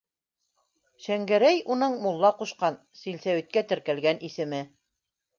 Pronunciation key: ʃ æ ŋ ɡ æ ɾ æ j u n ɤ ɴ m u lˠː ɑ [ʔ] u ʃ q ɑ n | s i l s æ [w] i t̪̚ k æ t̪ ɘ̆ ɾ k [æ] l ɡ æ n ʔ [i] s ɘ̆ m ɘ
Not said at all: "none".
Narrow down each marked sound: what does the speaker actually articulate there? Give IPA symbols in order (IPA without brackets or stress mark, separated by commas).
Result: q, w, æ, i